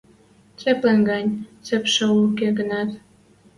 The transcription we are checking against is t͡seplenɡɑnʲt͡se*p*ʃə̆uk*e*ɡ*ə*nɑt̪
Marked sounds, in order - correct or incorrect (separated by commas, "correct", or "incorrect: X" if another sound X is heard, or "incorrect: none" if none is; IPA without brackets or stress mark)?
correct, correct, correct